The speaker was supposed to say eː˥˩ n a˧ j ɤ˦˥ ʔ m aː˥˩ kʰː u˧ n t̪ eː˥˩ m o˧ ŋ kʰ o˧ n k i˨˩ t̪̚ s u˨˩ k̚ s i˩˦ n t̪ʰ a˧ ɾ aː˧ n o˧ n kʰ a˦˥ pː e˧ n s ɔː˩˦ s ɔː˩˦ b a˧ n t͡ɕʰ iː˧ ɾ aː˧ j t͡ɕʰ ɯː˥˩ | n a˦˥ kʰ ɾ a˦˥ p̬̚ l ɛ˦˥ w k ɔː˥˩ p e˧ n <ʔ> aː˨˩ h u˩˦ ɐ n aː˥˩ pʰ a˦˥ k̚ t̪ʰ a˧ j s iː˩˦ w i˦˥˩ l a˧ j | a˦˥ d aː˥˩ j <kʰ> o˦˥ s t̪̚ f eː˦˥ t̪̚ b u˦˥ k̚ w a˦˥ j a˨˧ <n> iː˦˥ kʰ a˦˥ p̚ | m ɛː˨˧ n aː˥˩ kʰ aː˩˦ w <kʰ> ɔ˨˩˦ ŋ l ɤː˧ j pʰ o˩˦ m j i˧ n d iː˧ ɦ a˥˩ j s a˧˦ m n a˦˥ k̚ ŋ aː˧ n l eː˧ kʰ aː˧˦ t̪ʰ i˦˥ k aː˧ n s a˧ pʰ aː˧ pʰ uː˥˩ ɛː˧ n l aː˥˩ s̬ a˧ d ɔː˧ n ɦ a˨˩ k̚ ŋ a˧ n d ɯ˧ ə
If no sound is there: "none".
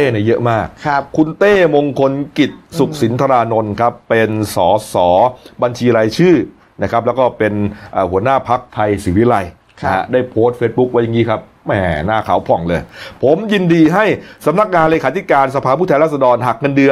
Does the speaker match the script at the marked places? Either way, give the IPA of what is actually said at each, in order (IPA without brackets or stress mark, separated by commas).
ʔ, pʰ, ŋ, pʰ